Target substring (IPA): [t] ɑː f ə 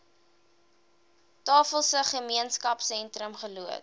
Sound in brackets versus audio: correct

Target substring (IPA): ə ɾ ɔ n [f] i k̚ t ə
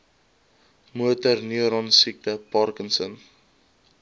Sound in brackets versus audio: incorrect: s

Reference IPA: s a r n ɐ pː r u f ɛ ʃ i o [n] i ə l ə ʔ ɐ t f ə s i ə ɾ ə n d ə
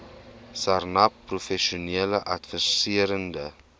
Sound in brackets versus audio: correct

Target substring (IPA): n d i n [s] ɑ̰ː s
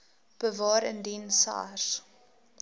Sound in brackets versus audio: correct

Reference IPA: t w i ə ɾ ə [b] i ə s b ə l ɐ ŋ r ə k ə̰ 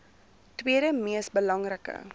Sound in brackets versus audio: incorrect: m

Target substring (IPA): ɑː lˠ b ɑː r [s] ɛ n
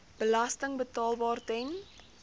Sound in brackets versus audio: incorrect: t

